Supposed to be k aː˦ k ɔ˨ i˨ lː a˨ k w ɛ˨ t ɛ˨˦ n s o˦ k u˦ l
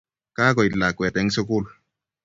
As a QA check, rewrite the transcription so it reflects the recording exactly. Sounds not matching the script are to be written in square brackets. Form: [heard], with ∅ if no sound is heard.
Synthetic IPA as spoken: k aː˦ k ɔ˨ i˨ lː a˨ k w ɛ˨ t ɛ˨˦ [ŋ] s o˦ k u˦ l

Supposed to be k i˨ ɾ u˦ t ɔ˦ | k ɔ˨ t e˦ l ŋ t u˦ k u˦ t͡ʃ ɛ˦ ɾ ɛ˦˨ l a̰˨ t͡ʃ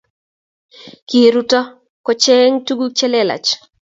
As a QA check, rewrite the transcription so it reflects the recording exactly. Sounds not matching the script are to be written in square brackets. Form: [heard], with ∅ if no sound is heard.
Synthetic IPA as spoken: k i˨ ɾ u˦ t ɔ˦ | k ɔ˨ [t͡ʃ] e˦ [∅] ŋ t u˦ [ɡ] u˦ t͡ʃ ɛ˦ [l] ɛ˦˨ l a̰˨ t͡ʃ

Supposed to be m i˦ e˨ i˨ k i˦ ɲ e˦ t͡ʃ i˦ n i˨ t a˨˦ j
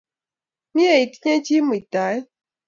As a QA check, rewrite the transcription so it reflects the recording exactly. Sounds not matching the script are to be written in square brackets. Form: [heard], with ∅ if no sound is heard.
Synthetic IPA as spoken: m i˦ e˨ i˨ [t] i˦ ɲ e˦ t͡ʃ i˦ [m] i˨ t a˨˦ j

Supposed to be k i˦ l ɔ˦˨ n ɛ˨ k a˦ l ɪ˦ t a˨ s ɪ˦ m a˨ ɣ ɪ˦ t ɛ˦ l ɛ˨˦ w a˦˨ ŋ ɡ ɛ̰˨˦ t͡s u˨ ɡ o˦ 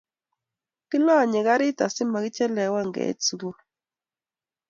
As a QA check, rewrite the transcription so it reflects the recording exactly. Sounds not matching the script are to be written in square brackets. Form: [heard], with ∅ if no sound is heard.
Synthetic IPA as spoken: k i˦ l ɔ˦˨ [ɲ] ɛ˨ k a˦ [ɾ] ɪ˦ t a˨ s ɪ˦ m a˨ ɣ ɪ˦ [t͡ʃ] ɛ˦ l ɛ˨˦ w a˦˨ ŋ ɡ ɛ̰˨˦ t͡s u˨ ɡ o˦

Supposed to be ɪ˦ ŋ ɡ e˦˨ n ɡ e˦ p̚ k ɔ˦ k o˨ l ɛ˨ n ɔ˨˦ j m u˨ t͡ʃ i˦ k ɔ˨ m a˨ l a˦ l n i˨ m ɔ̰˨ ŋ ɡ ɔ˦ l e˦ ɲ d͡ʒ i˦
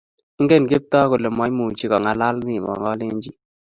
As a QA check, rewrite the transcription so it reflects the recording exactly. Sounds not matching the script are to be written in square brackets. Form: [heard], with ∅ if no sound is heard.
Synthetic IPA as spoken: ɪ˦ ŋ ɡ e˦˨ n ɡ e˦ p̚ [t] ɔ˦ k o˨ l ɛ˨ [m] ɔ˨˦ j m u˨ t͡ʃ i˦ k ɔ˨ [ŋ] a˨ l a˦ l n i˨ m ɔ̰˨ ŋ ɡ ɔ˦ l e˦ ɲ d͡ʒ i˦

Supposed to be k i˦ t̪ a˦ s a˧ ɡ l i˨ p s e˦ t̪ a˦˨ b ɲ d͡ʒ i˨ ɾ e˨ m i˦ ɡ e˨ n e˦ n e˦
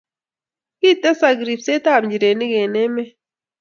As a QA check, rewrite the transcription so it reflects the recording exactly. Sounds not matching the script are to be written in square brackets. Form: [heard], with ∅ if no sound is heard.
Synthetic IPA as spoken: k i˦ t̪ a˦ s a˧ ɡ [ɾ] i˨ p s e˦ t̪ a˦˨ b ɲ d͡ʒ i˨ ɾ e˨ [n] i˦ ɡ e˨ n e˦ [m] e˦

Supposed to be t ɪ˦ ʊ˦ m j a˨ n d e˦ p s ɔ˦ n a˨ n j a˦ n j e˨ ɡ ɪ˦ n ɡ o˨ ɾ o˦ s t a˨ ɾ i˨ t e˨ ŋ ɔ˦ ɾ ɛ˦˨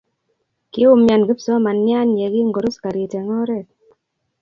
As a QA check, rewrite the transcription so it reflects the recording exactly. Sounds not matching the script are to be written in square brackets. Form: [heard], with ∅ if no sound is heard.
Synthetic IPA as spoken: [k] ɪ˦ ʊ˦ m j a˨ n [ɡ] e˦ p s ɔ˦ [m] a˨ n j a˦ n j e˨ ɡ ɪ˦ [ŋ] ɡ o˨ ɾ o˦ s [k] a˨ ɾ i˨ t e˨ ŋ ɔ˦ ɾ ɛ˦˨

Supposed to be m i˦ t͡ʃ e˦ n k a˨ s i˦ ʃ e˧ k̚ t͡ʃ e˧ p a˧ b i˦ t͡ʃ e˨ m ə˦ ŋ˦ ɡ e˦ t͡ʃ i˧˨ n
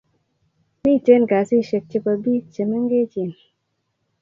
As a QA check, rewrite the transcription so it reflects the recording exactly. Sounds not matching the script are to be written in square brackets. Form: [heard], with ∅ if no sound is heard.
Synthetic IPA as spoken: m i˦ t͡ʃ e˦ n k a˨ s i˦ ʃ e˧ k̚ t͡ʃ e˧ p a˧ b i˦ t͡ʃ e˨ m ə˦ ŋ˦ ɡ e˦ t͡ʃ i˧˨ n

